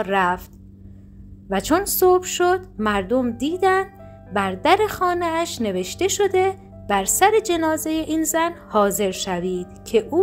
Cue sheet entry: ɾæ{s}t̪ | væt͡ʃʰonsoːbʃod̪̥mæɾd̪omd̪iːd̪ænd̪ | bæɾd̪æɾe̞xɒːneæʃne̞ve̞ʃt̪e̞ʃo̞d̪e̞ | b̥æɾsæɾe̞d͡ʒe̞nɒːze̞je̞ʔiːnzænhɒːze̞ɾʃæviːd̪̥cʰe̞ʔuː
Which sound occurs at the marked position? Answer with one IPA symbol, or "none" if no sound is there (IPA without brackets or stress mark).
f